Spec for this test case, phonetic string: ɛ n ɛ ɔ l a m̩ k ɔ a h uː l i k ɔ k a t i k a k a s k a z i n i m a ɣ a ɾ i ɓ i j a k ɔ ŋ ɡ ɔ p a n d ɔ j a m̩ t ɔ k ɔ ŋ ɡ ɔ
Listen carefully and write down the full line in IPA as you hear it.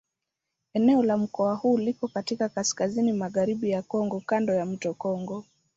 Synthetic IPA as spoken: ɛ n ɛ ɔ l a m̩ k ɔ a h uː l i k ɔ k a t i k a k a s k a z i n i m a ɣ a ɾ i ɓ i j a k ɔ ŋ ɡ ɔ k a n d ɔ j a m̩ t ɔ k ɔ ŋ ɡ ɔ

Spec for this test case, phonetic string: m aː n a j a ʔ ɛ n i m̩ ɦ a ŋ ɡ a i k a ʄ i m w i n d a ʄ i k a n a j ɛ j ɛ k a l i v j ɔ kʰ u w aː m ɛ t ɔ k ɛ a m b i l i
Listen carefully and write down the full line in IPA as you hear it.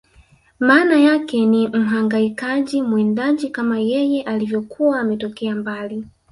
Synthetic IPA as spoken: m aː n a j a k ɛ n i m̩ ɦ a ŋ ɡ a i k a ʄ i m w ɛ n d a ʄ i k a m a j ɛ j ɛ ʔ a l i v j ɔ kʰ u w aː m ɛ t ɔ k ɛ a m b a l i

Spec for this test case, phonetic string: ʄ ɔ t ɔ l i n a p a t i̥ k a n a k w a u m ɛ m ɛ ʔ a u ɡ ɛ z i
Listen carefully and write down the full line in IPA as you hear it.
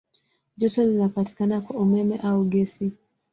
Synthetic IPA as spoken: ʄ ɔ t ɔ l i n a p a t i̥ k a n a k w a u m ɛ m ɛ ʔ a u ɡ ɛ s i

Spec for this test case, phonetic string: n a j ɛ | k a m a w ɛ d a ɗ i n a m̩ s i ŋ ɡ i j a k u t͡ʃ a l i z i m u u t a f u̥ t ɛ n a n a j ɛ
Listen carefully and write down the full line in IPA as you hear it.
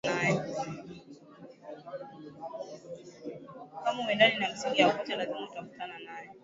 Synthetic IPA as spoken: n a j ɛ | k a m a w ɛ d a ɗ i n a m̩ s i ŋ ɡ i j a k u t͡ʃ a l a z i m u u t a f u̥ t a n a n a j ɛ

